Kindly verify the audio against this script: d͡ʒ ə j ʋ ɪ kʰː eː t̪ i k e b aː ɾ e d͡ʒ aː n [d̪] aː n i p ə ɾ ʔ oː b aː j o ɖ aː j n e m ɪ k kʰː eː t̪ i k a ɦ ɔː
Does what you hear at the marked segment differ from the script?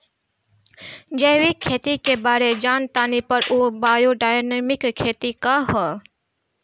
yes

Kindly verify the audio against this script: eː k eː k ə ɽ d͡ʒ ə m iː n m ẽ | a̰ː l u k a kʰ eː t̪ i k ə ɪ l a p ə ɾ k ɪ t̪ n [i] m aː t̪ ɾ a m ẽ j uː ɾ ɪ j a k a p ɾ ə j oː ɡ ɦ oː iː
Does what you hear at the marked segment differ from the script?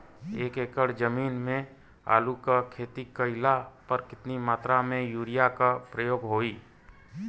no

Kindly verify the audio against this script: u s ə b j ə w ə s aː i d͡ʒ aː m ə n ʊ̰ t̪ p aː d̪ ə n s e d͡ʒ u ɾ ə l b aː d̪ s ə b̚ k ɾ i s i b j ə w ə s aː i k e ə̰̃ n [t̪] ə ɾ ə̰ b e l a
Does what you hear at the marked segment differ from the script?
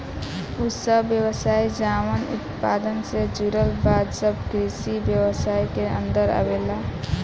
yes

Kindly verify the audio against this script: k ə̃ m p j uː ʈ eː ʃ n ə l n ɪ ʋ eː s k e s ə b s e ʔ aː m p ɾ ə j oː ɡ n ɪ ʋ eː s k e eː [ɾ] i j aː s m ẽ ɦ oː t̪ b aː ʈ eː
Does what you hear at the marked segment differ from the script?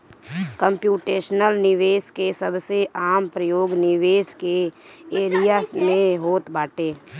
no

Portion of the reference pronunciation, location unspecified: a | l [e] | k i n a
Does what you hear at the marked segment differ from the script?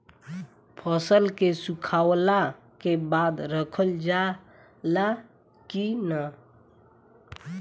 yes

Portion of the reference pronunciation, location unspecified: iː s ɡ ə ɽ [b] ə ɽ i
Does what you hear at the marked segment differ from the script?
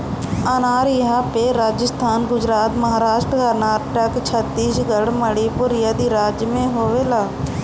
yes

